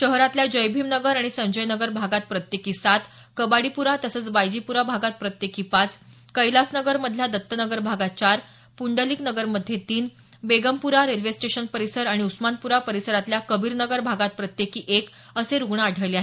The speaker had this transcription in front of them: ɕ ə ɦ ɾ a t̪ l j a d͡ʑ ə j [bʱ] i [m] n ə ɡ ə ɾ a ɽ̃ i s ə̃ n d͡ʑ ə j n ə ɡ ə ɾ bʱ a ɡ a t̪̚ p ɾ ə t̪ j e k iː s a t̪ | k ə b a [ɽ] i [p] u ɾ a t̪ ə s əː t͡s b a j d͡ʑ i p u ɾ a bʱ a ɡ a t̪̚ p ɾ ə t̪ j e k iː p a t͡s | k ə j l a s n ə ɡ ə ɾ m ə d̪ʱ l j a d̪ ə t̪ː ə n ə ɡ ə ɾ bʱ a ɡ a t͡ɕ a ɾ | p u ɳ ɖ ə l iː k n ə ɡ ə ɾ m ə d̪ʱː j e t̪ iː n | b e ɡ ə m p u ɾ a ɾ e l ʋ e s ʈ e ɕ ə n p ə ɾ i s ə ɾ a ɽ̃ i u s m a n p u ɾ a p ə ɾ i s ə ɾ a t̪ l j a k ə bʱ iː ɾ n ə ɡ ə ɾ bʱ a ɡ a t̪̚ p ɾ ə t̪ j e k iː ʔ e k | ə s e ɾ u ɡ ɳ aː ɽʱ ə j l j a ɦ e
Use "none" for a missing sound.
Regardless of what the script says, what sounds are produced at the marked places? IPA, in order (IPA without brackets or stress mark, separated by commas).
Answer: bʱ, m, ɽ, p